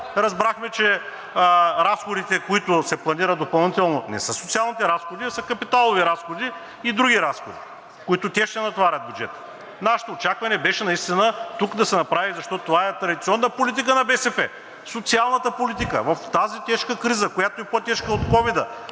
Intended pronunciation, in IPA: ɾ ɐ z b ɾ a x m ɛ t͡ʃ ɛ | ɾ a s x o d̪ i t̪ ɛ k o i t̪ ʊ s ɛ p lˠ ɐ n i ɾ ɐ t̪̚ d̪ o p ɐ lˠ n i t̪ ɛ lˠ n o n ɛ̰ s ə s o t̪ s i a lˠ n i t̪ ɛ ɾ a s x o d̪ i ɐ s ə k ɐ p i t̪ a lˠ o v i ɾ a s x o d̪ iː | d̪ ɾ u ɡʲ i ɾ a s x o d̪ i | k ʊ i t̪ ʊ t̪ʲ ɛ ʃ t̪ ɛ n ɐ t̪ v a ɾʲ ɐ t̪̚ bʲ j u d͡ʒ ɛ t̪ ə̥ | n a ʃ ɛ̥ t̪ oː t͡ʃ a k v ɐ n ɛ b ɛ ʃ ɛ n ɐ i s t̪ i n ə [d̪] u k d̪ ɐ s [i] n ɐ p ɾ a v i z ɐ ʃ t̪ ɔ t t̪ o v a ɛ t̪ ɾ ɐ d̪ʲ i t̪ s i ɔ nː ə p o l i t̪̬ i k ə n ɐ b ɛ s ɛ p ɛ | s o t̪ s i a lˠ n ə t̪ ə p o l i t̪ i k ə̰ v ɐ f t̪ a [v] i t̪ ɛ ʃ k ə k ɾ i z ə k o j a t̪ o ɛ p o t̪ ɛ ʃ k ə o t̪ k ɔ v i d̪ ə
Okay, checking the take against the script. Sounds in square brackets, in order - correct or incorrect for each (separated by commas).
incorrect, incorrect, incorrect